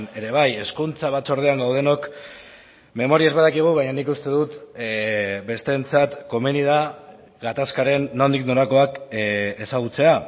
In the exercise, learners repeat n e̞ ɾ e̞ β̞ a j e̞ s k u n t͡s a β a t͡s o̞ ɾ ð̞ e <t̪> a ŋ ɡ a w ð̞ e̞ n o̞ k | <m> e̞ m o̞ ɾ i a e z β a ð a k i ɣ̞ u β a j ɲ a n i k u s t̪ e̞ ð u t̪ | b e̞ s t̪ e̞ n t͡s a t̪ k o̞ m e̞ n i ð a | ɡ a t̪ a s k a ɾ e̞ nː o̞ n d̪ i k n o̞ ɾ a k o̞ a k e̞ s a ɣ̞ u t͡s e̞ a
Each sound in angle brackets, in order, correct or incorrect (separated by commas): incorrect, correct